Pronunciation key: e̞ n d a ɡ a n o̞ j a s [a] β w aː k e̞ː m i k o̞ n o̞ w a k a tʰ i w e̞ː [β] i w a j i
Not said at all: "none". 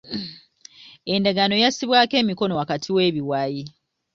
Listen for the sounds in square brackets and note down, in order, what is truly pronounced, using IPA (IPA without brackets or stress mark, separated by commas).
i, β